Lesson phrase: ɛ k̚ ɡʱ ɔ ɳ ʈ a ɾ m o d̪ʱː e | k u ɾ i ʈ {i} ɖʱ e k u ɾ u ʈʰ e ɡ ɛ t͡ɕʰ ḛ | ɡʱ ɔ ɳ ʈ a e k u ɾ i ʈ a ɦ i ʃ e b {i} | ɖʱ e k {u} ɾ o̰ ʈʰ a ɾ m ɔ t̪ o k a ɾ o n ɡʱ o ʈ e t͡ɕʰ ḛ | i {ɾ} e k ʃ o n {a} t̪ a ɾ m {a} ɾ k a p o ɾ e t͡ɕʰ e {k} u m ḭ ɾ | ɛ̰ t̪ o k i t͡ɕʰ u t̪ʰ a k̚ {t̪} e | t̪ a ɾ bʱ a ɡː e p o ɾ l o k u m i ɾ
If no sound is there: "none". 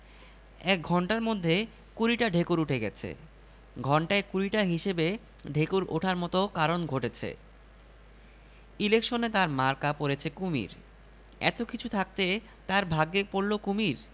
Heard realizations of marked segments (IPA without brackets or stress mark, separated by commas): a, e, u, l, e, a, k, t̪